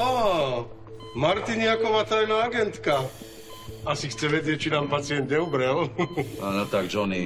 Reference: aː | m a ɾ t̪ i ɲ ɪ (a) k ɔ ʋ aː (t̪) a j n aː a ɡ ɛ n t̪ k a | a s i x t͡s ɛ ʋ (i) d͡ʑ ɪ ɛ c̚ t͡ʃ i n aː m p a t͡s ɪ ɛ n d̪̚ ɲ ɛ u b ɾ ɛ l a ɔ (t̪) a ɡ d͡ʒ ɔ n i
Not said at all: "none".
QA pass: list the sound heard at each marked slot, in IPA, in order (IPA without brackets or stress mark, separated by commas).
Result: a, t̪, ɛ, t̪